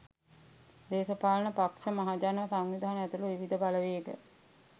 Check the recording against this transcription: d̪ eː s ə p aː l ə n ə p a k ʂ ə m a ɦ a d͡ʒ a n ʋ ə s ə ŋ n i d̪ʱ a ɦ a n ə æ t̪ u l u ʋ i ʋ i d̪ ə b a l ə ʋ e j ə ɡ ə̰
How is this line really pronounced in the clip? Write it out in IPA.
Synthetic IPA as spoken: d̪ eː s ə p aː l ə n ə p a k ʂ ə m a ɦ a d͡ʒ a n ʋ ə s a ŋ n i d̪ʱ a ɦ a n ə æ t̪ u l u ʋ i ʋ i d̪ ə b a l ə ʋ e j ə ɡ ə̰

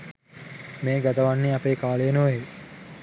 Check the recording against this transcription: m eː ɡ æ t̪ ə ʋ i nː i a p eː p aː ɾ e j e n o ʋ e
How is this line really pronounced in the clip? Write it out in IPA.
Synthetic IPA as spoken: m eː ɡ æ t̪ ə ʋ a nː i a p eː k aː l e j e n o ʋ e

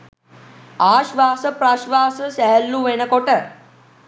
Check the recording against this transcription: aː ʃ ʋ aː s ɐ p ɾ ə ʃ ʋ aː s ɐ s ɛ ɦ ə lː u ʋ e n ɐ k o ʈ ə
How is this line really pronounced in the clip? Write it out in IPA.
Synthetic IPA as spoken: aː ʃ ʋ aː s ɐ p ɾ a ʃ ʋ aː s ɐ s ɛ ɦ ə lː u ʋ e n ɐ k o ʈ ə

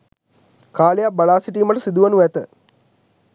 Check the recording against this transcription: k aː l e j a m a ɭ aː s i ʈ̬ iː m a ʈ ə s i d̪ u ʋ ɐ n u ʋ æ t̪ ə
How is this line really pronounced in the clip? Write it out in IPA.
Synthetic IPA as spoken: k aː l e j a b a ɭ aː s i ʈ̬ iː m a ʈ ə s i d̪ u ʋ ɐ n u ʋ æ t̪ ə

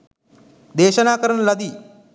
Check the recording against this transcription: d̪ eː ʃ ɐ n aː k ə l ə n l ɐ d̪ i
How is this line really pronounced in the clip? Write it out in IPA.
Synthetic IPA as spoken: d̪ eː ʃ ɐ n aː k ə ɾ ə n l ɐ d̪ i

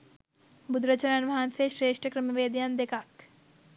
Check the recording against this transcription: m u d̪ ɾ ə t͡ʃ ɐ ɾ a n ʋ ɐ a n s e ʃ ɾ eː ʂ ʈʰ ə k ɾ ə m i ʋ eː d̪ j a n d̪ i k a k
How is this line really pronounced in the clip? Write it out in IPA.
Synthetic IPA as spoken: b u d̪ ɾ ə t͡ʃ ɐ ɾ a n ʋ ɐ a n s e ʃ ɾ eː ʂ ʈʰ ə k ɾ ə m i ʋ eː d̪ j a n d̪ e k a k

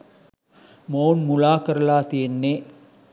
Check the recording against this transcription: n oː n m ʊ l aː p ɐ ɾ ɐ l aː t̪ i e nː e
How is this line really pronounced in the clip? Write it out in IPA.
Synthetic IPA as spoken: m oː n m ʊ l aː k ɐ ɾ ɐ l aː t̪ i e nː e

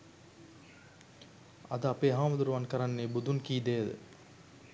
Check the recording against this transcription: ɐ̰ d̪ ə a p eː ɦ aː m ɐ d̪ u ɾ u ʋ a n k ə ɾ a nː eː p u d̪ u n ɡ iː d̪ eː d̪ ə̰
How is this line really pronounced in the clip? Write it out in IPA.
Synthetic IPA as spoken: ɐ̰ d̪ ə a p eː ɦ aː m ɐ d̪ u ɾ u ʋ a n k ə ɾ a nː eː b u d̪ u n k iː d̪ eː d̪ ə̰

